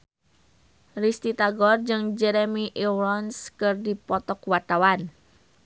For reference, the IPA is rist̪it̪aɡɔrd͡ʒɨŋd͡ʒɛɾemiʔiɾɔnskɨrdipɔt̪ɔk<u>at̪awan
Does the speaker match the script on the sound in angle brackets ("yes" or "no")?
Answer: no